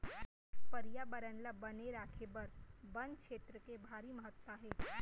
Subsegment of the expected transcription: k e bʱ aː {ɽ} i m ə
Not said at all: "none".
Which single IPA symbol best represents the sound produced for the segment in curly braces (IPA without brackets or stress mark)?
ɾ